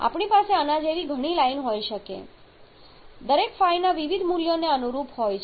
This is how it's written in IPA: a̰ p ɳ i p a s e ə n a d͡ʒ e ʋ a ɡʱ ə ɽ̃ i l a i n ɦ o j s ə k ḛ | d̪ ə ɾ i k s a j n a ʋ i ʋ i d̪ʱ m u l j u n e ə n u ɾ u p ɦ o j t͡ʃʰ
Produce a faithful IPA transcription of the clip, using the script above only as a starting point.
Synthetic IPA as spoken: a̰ p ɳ i p a s e ə n a d͡ʒ e ʋ i ɡʱ ə ɽ̃ i l a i n ɦ o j ʃ ə k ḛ | d̪ ə ɾ e k f a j n a ʋ i ʋ i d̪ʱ m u l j o n e ə n u ɾ u p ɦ o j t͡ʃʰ